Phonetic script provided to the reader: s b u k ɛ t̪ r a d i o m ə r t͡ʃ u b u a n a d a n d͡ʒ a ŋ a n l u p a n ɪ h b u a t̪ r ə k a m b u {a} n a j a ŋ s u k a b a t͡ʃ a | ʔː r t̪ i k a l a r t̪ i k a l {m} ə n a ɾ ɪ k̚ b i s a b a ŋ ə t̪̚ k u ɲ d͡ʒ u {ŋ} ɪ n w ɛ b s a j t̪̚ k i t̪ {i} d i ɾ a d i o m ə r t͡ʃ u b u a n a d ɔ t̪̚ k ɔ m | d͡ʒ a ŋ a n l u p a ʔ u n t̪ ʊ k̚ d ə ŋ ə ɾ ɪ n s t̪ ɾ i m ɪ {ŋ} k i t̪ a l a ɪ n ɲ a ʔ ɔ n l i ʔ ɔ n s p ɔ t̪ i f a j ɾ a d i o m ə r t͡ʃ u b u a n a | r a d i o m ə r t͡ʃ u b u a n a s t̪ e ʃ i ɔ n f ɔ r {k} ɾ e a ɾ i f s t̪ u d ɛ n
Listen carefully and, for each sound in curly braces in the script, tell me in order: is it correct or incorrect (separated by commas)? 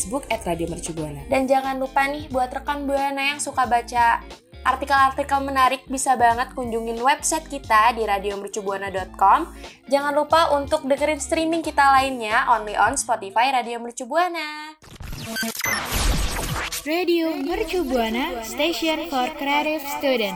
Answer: correct, correct, correct, incorrect, correct, correct